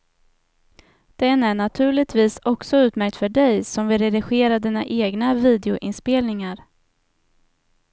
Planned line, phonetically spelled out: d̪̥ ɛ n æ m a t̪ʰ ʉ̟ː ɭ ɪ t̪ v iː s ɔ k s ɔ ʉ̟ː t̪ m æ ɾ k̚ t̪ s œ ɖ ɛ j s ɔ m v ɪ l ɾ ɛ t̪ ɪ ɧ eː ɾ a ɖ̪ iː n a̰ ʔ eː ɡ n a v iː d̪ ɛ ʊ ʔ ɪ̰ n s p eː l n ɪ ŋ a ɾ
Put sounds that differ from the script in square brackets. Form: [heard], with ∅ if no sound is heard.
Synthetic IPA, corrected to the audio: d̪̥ ɛ n æ [ɳ] a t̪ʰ ʉ̟ː ɭ ɪ t̪ v iː s ɔ k s ɔ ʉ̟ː t̪ m æ ɾ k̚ t̪ [f] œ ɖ ɛ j s ɔ m v ɪ l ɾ ɛ [d̪] ɪ ɧ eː ɾ a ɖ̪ iː n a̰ ʔ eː ɡ n a v iː d̪ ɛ ʊ ʔ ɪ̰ n s p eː l n ɪ ŋ a ɾ